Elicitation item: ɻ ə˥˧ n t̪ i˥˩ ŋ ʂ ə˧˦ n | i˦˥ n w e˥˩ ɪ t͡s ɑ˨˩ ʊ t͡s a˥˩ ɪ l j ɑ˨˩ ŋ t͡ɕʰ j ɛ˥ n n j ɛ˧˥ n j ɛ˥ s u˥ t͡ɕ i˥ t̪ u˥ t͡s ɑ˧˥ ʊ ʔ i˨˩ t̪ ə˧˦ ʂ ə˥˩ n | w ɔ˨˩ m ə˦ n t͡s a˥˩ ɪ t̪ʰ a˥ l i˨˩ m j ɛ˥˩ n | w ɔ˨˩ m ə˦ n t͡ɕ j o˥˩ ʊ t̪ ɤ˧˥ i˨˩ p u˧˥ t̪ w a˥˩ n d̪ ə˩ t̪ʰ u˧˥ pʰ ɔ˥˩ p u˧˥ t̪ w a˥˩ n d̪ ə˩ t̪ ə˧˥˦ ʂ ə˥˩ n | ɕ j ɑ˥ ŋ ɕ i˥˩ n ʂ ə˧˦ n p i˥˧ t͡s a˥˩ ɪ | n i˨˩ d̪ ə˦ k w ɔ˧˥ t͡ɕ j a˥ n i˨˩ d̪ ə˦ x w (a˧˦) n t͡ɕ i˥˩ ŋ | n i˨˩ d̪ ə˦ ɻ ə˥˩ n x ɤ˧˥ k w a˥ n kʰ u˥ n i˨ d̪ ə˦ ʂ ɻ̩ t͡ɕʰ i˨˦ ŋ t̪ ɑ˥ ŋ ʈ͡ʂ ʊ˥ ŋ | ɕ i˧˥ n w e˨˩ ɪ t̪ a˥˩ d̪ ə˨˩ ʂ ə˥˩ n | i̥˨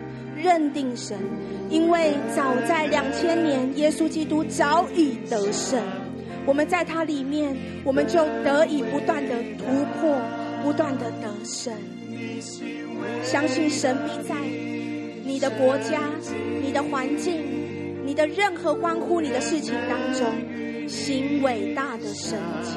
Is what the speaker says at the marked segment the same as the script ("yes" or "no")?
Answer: yes